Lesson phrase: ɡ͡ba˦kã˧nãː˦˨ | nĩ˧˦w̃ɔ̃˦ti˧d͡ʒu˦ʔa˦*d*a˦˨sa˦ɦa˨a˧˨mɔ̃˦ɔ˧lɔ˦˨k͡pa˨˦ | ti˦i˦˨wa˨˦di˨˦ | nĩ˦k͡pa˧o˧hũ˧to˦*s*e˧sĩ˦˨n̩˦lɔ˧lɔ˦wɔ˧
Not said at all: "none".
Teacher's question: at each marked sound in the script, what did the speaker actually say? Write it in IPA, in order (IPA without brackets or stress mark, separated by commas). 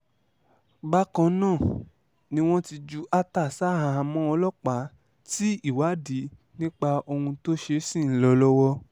t, ʃ